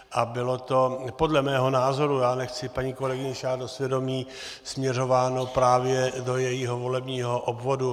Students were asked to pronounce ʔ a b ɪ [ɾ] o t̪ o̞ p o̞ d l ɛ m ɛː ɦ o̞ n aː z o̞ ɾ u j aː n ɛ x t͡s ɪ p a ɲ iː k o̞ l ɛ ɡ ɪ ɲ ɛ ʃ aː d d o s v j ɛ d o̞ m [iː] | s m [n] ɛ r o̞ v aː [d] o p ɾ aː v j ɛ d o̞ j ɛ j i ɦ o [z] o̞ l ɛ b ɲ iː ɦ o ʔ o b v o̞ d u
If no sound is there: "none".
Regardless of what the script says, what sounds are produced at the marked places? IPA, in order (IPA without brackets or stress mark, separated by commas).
l, iː, ɲ, n, v